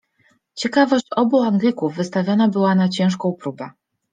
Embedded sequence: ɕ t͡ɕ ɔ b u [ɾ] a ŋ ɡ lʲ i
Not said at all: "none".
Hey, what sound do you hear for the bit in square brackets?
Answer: none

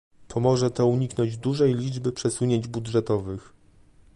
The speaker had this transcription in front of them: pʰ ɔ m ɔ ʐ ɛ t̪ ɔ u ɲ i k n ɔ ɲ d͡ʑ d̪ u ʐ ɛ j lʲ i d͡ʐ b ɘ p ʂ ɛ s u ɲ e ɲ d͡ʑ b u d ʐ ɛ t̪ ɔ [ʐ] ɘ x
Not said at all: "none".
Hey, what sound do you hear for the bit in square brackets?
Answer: v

